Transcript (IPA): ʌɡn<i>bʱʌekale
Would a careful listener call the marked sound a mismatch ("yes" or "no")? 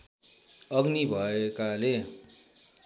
no